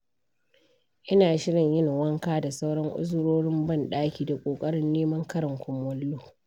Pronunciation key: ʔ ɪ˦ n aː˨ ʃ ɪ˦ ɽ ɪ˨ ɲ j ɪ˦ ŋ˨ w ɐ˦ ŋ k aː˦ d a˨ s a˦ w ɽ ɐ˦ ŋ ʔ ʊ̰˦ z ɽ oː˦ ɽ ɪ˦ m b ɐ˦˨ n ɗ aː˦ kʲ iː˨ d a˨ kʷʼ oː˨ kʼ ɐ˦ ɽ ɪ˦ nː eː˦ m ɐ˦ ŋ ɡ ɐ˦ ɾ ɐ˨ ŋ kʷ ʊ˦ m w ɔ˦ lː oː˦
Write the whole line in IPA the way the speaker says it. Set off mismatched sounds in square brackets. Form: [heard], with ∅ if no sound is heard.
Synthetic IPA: ʔ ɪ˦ n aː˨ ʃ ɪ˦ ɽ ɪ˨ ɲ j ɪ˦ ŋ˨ w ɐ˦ ŋ k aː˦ d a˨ s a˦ w ɽ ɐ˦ ŋ ʔ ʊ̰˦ z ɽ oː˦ ɽ ɪ˦ m b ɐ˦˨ n ɗ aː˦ kʲ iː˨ d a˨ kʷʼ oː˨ kʼ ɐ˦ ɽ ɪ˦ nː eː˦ m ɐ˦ ŋ [k] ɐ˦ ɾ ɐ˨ ŋ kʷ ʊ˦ m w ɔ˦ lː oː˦